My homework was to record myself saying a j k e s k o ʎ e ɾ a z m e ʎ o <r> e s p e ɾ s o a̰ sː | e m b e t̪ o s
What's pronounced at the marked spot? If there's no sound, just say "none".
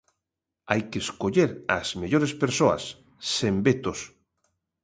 ɾ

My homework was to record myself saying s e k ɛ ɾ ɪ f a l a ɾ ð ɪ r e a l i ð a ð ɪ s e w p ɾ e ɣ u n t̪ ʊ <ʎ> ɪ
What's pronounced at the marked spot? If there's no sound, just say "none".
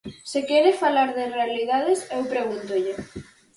ʎ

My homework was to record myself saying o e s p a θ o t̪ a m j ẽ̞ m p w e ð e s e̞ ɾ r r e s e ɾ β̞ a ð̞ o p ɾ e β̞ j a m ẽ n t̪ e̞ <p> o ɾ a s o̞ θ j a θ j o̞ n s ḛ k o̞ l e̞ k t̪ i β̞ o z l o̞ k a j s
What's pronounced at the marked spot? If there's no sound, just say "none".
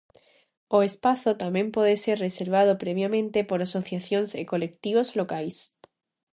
p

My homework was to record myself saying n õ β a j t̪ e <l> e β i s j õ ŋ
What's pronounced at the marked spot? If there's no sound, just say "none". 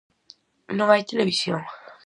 l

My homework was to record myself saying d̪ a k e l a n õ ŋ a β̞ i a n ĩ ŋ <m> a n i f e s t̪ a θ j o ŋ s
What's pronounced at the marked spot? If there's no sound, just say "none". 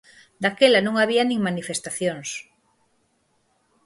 m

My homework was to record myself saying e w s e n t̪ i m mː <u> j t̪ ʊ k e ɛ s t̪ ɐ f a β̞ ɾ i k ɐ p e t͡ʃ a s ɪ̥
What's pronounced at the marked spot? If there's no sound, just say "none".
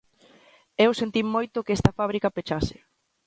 o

